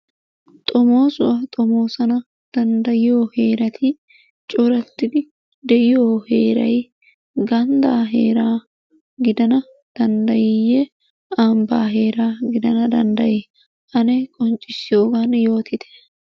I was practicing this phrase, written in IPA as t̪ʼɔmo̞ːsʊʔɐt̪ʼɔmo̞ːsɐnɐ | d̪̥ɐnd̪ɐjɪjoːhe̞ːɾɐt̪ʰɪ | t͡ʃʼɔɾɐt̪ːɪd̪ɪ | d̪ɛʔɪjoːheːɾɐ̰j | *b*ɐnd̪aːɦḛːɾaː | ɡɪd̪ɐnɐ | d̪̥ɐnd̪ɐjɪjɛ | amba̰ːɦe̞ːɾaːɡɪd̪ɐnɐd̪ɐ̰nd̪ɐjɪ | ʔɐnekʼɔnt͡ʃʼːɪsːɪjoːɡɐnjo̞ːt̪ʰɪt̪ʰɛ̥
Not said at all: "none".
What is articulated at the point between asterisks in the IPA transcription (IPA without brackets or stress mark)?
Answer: ɡ